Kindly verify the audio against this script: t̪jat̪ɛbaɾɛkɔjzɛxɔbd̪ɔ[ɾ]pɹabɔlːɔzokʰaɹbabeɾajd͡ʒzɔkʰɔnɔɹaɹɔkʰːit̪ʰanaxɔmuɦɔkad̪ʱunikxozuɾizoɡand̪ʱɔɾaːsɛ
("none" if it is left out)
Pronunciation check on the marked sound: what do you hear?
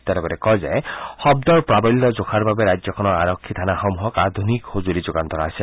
ɹ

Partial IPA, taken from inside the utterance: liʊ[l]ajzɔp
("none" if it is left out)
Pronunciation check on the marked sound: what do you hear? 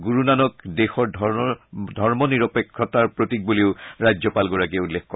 ɹ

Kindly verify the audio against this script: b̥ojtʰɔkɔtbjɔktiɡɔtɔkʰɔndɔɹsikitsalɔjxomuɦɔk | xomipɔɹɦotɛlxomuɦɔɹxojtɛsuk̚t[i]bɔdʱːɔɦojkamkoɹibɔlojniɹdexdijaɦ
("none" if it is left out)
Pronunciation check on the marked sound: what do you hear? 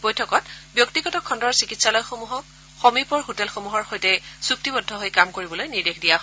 i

